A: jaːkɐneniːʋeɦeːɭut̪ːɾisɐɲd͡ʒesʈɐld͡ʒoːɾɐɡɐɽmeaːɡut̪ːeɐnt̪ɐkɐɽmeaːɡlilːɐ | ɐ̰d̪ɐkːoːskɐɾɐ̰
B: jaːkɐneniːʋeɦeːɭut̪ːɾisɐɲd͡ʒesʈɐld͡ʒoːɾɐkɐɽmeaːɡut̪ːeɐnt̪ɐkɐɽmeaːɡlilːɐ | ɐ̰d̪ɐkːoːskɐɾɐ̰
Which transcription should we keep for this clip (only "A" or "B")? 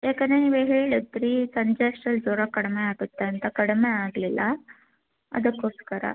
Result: B